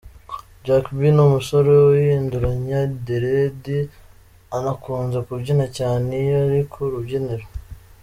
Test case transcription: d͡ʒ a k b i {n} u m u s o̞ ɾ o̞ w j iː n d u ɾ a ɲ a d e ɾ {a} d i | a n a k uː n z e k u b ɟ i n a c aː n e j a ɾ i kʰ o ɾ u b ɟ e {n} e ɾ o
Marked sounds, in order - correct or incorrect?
correct, incorrect: e, correct

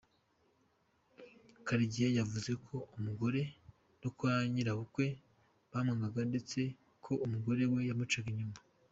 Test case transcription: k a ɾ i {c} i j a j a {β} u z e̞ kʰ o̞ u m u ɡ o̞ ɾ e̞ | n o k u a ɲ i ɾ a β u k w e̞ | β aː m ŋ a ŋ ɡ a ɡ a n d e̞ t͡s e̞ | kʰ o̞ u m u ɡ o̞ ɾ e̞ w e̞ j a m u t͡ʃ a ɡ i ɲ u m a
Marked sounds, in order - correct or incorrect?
incorrect: ɟ, incorrect: v

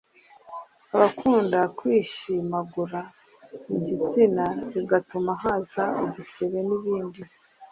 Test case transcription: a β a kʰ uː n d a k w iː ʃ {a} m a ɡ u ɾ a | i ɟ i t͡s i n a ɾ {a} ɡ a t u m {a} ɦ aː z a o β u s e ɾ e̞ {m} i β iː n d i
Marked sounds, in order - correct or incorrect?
incorrect: i, incorrect: i, correct, incorrect: n

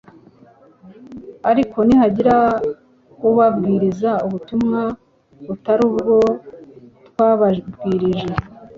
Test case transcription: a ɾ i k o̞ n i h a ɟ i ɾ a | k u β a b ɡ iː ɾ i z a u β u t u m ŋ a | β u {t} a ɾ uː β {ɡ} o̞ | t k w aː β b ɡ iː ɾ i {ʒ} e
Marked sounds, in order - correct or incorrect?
correct, correct, correct

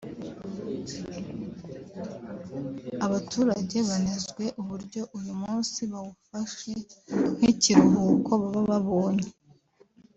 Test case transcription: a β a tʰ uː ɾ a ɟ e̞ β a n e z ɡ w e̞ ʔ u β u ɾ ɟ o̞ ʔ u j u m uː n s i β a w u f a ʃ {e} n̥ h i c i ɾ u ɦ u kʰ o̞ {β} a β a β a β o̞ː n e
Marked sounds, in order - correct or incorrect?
correct, correct

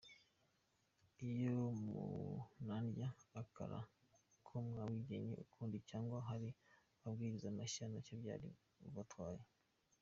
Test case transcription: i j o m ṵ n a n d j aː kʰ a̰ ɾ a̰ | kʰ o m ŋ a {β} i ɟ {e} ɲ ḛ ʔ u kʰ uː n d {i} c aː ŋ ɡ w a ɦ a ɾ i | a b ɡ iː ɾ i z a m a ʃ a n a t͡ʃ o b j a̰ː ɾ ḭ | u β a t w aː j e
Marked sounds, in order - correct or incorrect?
incorrect: w, correct, correct

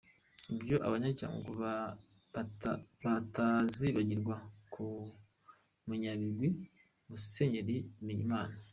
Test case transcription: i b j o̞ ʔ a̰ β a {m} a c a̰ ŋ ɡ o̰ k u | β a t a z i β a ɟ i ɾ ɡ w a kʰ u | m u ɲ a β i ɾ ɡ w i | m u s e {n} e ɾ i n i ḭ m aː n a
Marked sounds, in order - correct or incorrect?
incorrect: ɲ, incorrect: ɲ

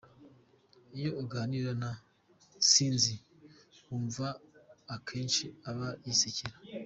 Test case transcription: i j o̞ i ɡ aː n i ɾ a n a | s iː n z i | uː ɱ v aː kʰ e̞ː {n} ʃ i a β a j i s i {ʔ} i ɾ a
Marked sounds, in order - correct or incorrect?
correct, incorrect: c

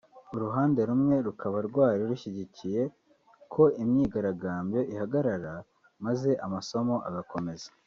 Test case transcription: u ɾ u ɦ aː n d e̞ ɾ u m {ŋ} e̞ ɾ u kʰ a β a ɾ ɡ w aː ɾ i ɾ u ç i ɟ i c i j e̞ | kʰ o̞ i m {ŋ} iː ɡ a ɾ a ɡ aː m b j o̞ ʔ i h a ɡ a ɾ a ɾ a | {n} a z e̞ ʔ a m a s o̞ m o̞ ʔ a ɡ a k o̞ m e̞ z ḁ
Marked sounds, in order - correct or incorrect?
correct, incorrect: ɲ, incorrect: m

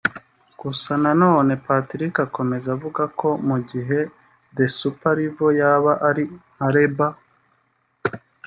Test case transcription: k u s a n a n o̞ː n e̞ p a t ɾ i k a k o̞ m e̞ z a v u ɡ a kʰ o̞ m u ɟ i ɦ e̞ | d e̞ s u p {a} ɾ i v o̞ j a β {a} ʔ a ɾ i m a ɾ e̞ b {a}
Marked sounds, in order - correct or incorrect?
correct, correct, correct

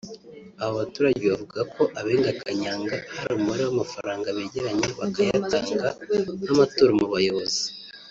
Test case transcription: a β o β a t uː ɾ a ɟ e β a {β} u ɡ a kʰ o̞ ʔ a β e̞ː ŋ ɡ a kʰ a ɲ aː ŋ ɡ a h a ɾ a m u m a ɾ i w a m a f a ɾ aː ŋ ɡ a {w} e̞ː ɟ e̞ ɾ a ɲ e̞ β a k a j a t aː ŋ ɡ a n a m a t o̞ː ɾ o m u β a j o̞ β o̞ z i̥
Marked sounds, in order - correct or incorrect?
incorrect: v, incorrect: β

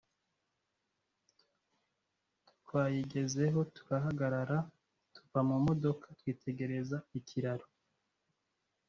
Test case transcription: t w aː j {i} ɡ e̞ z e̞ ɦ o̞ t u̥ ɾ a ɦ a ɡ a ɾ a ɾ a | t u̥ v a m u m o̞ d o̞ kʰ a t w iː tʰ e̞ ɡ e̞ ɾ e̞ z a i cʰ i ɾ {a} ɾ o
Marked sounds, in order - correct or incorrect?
correct, correct

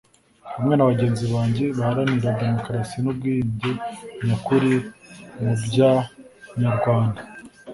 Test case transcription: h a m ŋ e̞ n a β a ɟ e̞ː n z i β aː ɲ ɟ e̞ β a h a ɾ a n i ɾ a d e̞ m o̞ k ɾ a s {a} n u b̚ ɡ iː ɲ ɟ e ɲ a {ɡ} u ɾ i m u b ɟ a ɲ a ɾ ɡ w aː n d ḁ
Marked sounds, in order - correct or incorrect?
incorrect: i, incorrect: k

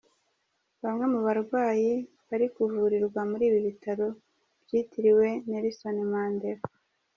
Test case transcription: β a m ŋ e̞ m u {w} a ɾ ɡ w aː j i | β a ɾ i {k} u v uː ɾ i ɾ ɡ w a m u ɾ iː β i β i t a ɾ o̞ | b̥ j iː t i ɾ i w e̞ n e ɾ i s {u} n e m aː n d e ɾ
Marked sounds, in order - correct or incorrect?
incorrect: β, correct, incorrect: o

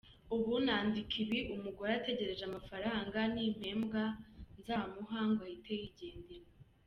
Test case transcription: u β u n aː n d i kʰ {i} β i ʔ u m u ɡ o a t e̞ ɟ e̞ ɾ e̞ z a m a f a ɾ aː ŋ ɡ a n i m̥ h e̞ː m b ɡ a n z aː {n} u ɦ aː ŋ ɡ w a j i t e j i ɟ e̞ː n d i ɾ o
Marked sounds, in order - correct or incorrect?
correct, incorrect: m

